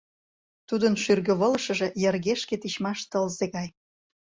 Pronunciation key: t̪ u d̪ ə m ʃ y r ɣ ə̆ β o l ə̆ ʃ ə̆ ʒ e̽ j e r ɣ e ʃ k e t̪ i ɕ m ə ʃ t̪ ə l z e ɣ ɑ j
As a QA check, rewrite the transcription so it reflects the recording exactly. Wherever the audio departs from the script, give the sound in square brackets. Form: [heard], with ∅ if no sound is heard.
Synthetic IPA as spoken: t̪ u d̪ ə [n] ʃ y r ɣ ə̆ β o l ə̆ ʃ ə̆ ʒ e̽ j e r ɣ e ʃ k e t̪ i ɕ m [ɑ] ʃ t̪ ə l z e ɣ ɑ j

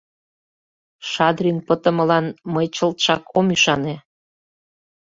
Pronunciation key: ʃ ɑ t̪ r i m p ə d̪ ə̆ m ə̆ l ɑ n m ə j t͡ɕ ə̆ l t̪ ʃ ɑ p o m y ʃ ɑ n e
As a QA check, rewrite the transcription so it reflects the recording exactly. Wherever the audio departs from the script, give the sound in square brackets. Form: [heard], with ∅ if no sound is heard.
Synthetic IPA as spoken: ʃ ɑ [d̪] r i [n] p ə [t̪] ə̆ m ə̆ l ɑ n m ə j t͡ɕ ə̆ l t̪ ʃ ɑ [k] o m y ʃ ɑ n e

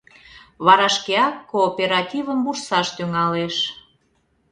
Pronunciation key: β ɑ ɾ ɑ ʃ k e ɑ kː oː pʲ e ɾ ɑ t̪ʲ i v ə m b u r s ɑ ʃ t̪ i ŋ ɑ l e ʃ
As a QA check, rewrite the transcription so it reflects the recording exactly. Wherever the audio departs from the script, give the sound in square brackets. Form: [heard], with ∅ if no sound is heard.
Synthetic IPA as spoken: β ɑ ɾ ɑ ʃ k e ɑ kː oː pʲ e ɾ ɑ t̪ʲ i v ə m b u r s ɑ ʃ t̪ [y] ŋ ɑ l e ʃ

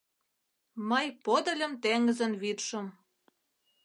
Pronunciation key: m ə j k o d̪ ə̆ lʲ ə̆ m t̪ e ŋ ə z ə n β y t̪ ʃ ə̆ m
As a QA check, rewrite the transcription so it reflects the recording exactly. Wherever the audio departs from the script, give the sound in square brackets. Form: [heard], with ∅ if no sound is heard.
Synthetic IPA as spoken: m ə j [p] o d̪ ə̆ lʲ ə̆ m t̪ e ŋ ə z ə n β [i] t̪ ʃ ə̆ m

